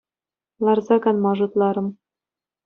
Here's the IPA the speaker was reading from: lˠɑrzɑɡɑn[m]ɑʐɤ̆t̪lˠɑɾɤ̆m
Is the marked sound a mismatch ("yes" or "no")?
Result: no